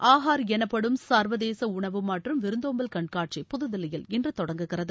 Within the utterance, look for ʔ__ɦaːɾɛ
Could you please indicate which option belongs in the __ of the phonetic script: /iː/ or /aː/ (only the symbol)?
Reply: aː